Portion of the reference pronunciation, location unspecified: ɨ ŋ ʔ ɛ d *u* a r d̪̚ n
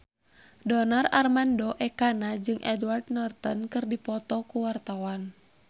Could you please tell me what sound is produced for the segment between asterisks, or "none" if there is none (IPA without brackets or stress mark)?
w